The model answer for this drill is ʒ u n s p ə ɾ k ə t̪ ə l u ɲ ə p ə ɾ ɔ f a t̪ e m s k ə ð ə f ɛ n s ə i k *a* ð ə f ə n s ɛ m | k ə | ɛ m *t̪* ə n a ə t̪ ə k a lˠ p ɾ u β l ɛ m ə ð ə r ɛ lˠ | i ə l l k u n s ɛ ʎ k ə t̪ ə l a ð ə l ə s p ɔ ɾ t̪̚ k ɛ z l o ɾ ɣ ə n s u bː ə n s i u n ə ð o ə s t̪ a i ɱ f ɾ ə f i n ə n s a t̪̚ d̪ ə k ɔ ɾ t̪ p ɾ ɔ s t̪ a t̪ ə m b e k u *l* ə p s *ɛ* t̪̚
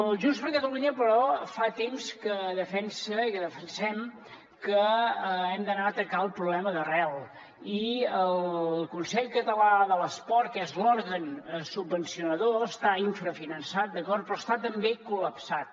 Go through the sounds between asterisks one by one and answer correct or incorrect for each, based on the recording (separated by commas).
incorrect, incorrect, correct, incorrect